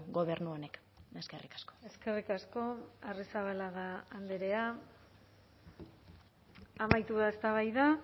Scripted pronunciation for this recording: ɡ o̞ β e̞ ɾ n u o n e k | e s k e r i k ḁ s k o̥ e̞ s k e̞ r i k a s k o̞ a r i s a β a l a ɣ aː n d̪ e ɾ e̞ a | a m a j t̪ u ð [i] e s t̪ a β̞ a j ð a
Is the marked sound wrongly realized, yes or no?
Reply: yes